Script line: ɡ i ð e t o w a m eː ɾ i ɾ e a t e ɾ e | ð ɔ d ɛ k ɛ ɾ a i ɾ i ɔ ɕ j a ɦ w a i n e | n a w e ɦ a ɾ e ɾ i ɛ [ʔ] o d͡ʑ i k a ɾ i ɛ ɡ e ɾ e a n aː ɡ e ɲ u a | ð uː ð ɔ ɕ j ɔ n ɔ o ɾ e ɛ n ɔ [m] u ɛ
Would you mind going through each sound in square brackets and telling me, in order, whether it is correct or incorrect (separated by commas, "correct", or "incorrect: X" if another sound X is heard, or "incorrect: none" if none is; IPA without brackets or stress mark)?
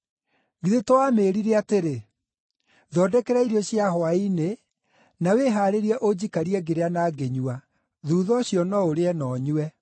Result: correct, incorrect: ɲ